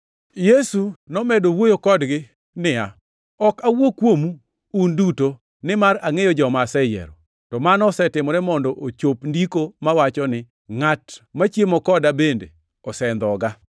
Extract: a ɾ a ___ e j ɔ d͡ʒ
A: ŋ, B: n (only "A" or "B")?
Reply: A